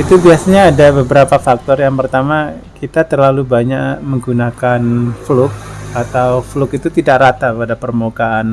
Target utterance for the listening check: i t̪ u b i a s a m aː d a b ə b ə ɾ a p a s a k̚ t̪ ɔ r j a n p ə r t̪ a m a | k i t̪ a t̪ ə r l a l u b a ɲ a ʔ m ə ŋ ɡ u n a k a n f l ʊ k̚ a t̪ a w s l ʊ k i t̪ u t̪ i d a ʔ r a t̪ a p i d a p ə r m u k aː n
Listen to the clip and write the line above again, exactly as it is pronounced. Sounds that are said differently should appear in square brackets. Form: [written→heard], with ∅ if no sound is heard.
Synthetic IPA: i t̪ u b i a s a [m→ɲ] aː d a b ə b ə ɾ a p a [s→f] a k̚ t̪ ɔ r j a [n→ŋ] p ə r t̪ a m a | k i t̪ a t̪ ə r l a l u b a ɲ a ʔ m ə ŋ ɡ u n a k a n f l ʊ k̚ a t̪ a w [s→f] l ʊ k i t̪ u t̪ i d a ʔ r a t̪ a p [i→a] d a p ə r m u k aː n